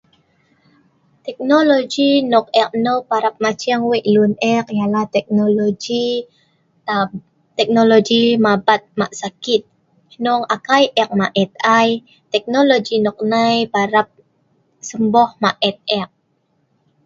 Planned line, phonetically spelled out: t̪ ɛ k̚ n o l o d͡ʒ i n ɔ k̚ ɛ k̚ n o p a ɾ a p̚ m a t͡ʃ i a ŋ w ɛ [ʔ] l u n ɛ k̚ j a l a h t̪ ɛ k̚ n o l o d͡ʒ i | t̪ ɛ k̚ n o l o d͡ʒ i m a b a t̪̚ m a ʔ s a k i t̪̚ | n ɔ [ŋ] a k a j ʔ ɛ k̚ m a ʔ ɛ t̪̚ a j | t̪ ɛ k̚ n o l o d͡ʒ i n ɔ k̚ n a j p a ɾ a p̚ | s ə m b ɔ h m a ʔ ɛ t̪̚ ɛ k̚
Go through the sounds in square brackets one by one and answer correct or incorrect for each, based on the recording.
correct, correct

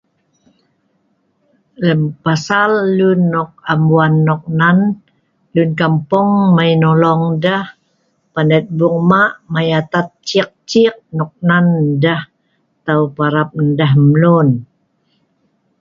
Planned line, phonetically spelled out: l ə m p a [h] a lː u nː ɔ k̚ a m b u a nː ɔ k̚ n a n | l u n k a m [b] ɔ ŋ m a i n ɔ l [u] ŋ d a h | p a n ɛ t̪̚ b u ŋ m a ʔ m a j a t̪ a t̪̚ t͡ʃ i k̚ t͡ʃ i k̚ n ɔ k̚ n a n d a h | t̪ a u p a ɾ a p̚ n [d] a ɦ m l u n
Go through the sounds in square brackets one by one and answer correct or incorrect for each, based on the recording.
incorrect: s, incorrect: p, incorrect: ɔ, correct

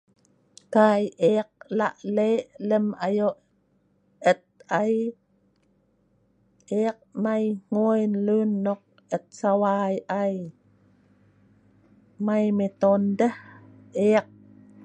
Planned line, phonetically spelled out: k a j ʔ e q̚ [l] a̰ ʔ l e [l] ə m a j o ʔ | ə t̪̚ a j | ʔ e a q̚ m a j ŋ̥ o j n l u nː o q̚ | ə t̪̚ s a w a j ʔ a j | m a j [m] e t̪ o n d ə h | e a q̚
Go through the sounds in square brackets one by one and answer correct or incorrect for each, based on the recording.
correct, correct, correct

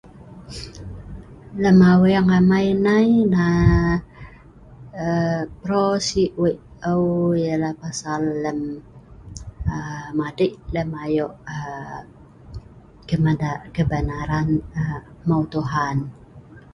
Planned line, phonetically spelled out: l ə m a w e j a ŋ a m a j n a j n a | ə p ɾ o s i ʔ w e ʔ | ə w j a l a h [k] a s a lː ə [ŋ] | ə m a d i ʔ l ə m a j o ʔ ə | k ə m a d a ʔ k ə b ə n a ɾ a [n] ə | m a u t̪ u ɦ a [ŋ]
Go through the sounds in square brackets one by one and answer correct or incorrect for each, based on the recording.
incorrect: p, incorrect: m, correct, incorrect: n

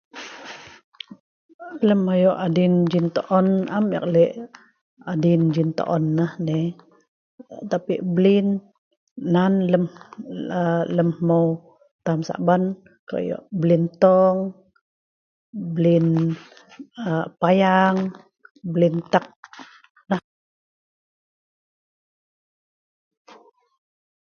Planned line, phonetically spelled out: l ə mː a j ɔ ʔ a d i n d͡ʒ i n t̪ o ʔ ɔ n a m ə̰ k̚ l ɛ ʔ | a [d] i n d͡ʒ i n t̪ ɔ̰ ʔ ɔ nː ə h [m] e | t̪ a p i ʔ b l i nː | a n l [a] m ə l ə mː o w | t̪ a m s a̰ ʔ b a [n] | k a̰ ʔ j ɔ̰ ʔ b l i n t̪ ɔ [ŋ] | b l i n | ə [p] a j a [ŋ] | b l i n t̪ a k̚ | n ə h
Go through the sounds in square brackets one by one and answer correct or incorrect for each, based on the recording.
correct, incorrect: n, incorrect: ə, correct, correct, correct, correct

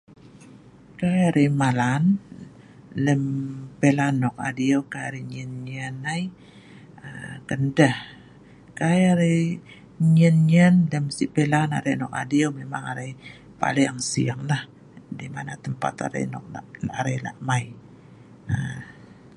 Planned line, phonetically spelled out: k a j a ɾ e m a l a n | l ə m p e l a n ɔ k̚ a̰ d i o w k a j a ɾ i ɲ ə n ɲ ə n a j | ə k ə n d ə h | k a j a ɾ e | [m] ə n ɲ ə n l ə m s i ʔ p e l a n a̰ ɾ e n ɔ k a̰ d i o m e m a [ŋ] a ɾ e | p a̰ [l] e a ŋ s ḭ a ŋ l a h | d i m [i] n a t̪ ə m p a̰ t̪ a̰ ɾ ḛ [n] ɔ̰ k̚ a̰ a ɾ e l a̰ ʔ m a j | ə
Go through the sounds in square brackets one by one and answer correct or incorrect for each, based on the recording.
incorrect: ɲ, correct, correct, incorrect: a, correct

